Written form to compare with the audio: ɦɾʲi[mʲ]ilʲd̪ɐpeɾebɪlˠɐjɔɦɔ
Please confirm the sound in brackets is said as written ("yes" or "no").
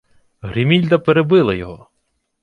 yes